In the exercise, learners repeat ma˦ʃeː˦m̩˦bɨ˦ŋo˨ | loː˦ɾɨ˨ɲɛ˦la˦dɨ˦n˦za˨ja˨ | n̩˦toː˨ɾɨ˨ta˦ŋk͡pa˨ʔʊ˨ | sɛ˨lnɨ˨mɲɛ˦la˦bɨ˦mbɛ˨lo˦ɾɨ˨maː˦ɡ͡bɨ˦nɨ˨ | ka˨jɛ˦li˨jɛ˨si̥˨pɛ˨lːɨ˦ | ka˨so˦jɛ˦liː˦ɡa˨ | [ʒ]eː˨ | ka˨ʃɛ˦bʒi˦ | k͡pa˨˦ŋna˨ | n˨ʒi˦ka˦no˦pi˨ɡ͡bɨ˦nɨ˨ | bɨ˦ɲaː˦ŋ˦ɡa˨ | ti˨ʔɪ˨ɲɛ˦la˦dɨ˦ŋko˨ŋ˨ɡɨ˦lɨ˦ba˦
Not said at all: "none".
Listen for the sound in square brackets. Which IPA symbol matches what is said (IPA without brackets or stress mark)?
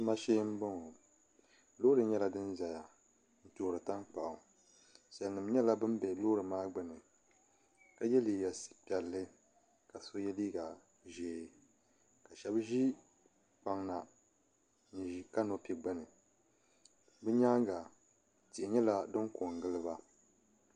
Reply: ʒ